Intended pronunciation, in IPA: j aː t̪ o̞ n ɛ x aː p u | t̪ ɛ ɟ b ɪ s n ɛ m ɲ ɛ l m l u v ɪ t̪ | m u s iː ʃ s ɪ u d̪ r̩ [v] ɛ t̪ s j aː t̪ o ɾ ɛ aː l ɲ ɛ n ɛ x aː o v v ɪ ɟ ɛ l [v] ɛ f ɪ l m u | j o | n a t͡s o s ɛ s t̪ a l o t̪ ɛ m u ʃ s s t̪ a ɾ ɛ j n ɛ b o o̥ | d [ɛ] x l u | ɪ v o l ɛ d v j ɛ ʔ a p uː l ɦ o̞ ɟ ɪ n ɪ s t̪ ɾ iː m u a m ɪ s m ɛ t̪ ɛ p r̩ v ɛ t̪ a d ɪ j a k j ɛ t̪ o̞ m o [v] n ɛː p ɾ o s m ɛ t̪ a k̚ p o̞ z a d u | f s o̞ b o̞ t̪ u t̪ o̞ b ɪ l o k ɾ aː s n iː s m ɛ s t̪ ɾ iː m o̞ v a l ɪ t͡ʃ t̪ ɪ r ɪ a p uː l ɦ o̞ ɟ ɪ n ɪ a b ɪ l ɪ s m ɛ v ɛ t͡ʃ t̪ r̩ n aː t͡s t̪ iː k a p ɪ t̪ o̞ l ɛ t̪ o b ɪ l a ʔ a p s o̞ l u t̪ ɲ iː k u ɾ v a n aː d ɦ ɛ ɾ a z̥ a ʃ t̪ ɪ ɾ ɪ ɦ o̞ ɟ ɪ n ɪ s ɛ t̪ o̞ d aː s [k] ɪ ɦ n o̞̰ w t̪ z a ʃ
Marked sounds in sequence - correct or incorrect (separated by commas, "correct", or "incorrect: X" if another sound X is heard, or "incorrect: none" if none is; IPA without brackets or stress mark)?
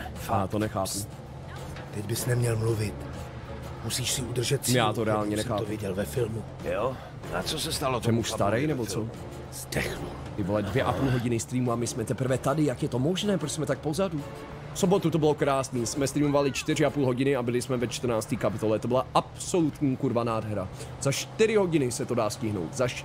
incorrect: ʒ, correct, correct, incorrect: ʒ, incorrect: c